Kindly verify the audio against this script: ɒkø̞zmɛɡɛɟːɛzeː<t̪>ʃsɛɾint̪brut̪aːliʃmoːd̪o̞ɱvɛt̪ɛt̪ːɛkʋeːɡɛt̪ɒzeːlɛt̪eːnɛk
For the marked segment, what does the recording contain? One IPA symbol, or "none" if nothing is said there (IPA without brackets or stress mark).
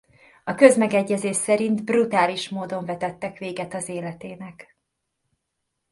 none